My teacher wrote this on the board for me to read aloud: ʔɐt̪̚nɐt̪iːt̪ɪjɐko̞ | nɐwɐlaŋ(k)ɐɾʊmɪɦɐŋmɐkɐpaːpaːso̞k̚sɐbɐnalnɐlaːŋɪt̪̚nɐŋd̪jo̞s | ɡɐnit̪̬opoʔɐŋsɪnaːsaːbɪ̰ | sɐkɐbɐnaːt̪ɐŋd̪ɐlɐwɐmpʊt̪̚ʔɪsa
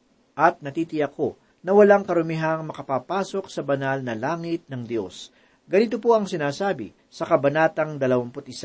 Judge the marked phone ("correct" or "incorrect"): correct